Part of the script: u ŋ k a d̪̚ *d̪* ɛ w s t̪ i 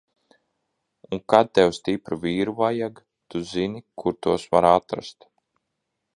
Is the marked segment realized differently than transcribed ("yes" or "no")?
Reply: yes